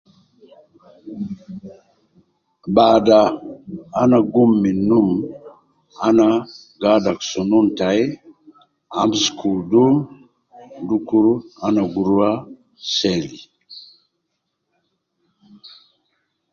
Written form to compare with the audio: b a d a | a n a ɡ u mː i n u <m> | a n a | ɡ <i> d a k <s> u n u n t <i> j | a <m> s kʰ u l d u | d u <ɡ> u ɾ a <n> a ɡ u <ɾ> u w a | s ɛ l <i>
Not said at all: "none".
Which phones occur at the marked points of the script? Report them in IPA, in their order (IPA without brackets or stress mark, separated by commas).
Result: m, a, s, a, m, k, n, ɾ, i